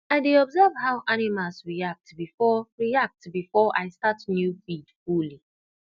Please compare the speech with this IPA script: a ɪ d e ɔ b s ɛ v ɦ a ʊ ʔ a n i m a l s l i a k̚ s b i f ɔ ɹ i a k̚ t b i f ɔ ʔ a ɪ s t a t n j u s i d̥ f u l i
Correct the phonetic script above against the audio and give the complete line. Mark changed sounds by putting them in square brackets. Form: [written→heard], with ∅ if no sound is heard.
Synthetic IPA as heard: a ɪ d e ɔ b [s→z] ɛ v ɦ a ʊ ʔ a n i m a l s [l→ɹ] i a k̚ [s→t] b i f ɔ ɹ i a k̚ t b i f ɔ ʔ a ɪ s t a t n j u [s→f] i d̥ f u l i